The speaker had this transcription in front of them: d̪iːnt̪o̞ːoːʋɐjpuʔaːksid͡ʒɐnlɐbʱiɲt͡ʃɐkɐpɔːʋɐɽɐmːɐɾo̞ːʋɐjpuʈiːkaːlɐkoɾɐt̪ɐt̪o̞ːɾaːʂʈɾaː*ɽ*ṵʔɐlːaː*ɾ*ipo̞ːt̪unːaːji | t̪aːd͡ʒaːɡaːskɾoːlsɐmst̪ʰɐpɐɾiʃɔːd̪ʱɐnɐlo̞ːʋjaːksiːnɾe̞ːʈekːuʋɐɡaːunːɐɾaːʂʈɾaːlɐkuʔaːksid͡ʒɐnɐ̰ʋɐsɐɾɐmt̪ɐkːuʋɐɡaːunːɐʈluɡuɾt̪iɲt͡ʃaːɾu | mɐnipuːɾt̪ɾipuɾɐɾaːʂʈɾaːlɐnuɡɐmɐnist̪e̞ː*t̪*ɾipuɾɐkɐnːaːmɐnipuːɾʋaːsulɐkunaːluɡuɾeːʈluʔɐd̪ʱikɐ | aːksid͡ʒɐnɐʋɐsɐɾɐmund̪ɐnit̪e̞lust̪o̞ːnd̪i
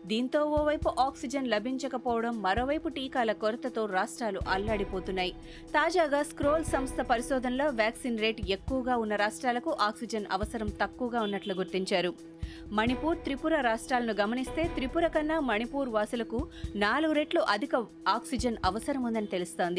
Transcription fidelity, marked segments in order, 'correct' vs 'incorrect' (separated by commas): incorrect, incorrect, correct